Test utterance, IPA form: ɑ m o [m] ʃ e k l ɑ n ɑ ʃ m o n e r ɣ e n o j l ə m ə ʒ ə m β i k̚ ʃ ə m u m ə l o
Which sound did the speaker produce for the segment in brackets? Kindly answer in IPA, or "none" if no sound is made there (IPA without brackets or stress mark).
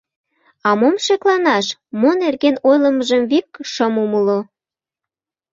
m